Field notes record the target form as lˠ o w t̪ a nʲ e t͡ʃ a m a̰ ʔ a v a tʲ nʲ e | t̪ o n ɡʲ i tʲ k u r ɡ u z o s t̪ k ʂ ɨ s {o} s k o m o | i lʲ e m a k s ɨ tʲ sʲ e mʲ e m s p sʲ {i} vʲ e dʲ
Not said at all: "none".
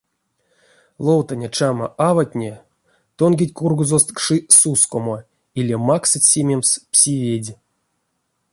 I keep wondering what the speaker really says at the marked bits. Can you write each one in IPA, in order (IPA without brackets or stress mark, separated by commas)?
u, i